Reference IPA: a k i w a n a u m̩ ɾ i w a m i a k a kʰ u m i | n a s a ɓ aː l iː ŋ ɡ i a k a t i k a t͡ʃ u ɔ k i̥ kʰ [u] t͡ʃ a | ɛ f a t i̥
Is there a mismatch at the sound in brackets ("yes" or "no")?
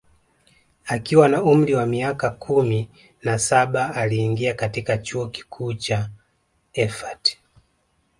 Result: yes